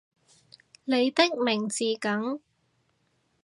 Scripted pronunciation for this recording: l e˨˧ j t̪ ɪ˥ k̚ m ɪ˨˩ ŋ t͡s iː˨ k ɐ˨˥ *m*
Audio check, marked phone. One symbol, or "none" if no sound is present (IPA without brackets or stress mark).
ŋ